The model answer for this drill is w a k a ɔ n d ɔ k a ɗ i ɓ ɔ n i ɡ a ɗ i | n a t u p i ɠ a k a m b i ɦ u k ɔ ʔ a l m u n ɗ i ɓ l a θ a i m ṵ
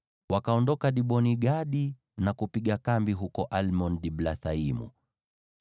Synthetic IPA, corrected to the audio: w a k a ɔ n d ɔ k a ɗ i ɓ ɔ n i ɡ a ɗ i | n a k u p i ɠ a k a m b i ɦ u k ɔ ʔ a l m ɔ n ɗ i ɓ l a θ a i m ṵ